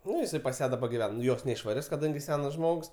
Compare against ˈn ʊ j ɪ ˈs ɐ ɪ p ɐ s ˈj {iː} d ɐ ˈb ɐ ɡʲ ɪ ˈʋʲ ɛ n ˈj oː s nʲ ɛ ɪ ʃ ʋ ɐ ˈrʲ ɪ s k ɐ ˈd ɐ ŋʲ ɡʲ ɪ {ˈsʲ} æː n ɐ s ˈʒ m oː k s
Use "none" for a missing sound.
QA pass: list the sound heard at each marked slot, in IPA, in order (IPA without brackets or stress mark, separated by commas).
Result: æː, sʲ